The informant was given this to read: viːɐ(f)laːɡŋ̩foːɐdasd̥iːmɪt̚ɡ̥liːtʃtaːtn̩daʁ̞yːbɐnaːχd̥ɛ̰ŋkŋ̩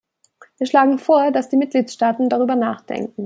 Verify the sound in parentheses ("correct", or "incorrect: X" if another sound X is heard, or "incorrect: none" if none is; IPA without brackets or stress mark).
incorrect: ʃ